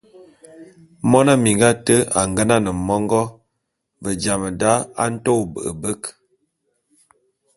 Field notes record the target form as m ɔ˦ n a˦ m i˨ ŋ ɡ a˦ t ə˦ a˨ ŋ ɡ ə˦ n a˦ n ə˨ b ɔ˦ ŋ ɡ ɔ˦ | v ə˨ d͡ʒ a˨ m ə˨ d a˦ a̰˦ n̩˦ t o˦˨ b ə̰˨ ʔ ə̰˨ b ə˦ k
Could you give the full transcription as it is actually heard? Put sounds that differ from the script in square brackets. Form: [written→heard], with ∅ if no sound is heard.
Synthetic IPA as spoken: m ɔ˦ n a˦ m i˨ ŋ ɡ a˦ t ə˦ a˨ ŋ ɡ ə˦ n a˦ n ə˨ [b→m] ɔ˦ ŋ ɡ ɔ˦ | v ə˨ d͡ʒ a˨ m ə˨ d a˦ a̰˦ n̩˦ t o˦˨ b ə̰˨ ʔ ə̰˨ b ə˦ k